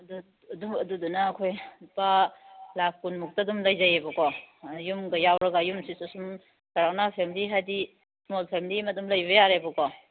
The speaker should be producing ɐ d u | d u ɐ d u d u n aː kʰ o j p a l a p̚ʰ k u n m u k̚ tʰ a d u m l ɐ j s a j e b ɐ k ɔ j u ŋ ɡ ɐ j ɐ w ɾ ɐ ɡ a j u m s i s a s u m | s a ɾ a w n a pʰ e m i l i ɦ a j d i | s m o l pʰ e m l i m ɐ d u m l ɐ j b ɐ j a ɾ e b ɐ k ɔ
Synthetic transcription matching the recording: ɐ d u | d u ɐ d u d u n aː kʰ o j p a l a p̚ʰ k u n m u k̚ t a d u m l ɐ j z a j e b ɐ k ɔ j u m ɡ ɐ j a w ɾ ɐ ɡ a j u m s i s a s u m | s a ɾ a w n a pʰ e m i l i ɦ a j d i | s m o l pʰ e m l i m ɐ d u m l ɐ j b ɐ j a ɾ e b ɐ k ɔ